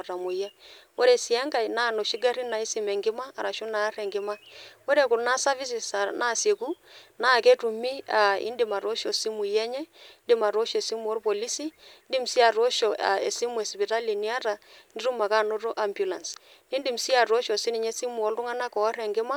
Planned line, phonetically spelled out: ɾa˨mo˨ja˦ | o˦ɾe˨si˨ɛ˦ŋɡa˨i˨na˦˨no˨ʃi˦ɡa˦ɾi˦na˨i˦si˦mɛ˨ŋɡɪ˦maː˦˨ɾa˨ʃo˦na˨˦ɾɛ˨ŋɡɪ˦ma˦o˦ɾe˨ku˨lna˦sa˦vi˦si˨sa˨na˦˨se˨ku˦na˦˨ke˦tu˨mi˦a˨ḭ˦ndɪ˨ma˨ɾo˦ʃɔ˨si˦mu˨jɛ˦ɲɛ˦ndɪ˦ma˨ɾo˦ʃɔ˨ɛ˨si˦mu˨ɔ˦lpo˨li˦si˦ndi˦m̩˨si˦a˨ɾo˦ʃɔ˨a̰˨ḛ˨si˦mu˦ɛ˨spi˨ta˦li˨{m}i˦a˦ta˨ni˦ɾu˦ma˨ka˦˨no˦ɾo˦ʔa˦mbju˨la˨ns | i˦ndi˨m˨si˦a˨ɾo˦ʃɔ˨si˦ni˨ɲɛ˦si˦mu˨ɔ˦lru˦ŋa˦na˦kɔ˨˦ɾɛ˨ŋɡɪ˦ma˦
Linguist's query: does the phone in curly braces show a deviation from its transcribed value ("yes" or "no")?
yes